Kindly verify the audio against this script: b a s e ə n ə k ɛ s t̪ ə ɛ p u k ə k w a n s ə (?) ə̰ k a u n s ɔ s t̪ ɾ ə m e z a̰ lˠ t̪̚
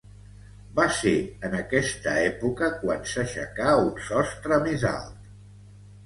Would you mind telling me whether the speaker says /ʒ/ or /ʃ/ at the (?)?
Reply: ʃ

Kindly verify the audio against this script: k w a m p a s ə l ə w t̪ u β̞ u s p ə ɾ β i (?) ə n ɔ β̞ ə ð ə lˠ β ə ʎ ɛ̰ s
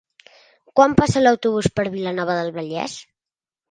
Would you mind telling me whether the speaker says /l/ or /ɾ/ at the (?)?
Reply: l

